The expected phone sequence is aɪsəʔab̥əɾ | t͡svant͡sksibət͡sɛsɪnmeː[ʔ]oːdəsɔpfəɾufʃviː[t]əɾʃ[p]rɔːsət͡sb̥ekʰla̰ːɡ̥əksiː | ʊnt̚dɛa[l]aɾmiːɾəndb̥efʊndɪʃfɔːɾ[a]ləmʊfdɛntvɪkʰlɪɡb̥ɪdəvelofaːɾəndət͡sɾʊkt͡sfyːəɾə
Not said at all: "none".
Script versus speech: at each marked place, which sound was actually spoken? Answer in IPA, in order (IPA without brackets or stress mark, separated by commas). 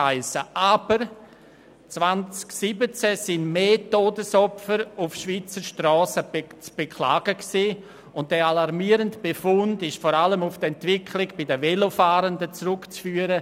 t, t͡s, t, l, a